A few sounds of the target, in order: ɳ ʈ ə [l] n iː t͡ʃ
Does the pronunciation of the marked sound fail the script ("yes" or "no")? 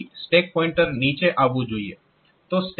yes